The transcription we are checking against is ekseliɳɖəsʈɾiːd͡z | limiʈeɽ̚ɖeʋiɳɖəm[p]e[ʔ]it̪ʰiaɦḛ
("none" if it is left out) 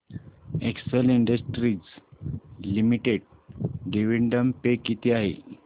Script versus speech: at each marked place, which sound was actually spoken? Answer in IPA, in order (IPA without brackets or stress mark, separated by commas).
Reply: p, k